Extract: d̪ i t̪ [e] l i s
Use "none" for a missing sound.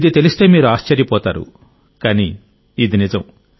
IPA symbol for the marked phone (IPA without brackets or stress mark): e